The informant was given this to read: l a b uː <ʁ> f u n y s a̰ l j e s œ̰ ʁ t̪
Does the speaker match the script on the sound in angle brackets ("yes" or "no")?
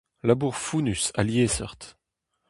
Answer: yes